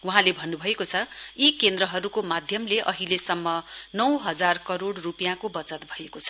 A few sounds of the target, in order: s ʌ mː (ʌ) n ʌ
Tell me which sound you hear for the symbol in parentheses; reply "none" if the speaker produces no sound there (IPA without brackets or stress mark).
ʌ